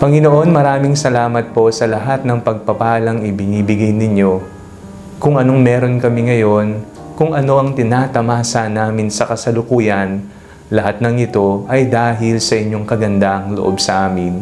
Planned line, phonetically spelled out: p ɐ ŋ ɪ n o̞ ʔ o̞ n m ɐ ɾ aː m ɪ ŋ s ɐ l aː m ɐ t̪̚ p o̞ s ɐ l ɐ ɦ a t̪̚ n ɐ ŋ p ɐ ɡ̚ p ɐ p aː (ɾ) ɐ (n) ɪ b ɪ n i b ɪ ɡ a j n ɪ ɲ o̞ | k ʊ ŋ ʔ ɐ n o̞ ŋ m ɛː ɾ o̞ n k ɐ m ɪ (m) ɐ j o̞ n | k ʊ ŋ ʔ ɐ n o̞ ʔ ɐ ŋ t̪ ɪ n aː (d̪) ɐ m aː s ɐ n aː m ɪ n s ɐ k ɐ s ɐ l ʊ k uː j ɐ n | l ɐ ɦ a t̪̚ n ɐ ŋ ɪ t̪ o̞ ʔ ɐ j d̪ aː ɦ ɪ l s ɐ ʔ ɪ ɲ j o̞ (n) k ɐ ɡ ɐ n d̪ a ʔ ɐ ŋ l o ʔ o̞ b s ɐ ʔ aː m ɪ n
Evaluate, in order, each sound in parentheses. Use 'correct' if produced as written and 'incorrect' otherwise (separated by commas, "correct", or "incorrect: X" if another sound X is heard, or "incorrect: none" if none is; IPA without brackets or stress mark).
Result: incorrect: l, incorrect: ŋ, incorrect: ŋ, incorrect: t̪, incorrect: ŋ